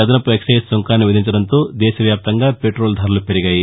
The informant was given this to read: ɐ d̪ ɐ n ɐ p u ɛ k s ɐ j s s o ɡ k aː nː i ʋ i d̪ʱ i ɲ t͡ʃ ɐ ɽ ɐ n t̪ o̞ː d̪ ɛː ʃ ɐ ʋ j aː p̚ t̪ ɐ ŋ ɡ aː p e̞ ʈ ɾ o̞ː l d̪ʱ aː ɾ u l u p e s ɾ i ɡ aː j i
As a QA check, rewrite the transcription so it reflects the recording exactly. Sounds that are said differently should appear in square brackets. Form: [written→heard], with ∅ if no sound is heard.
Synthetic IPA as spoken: ɐ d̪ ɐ n ɐ p u [ɛ→e] k s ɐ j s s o [ɡ→ŋ] k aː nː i ʋ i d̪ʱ i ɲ t͡ʃ ɐ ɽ ɐ n t̪ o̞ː d̪ ɛː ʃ ɐ ʋ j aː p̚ t̪ ɐ ŋ ɡ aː p e̞ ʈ ɾ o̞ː l d̪ʱ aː ɾ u l u p e [s→∅] ɾ i ɡ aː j i